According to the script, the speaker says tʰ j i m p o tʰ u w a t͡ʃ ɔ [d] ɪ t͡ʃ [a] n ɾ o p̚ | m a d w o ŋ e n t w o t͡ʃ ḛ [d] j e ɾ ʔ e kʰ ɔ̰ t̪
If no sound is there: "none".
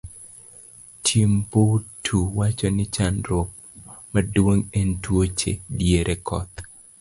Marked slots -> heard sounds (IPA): n, a, d

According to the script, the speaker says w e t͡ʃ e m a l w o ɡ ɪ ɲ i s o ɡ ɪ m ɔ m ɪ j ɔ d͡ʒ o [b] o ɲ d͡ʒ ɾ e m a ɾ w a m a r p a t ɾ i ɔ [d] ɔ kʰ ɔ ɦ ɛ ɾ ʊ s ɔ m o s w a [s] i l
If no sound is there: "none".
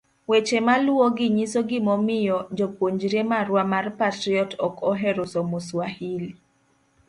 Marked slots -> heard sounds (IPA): p, t, h

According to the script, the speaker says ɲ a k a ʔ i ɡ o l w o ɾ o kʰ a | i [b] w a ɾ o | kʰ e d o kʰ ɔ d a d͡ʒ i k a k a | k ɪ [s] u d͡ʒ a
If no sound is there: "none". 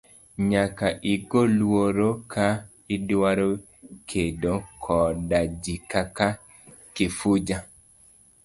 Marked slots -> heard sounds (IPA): d, f

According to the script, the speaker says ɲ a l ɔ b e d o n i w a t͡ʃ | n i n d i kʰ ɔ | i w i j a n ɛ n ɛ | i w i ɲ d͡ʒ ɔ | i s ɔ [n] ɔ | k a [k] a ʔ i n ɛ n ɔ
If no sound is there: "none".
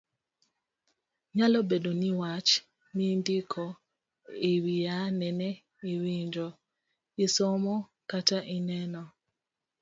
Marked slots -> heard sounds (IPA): m, t

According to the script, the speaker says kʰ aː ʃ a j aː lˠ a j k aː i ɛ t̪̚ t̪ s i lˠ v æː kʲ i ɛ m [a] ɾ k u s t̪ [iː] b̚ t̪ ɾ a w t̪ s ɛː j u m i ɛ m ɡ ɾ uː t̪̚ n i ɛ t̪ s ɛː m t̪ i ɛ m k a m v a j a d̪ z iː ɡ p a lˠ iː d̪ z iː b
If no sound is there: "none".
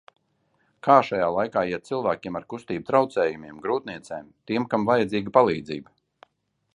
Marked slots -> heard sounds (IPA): a, iː

